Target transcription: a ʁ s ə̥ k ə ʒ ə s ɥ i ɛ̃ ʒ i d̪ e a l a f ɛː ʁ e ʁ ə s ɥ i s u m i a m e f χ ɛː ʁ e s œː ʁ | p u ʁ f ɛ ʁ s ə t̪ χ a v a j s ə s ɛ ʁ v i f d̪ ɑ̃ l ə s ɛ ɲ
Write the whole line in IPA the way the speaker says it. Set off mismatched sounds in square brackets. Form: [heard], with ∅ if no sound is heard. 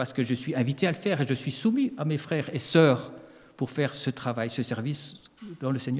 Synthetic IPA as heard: a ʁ s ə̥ k ə ʒ ə s ɥ i ɛ̃ [v] i [t̪] e a l [ə] f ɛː ʁ e [ʒ] ə s ɥ i s u m i a m e f χ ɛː ʁ e s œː ʁ | p u ʁ f ɛ ʁ s ə t̪ χ a v a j s ə s ɛ ʁ v i [s] d̪ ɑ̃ l ə s ɛ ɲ